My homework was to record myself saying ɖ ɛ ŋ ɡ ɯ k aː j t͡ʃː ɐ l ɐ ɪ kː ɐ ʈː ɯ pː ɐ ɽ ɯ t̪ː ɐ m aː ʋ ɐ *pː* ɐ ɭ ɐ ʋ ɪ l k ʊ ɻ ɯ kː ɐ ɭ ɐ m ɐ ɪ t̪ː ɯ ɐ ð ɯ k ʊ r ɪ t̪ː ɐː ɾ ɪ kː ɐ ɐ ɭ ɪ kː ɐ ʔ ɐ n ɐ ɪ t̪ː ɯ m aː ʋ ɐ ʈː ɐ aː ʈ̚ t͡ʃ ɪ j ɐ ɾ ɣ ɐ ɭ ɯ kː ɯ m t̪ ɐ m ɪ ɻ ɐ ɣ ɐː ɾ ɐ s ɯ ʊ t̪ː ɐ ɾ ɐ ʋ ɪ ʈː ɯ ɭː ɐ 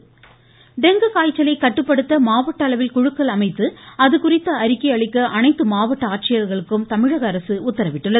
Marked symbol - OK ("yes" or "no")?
no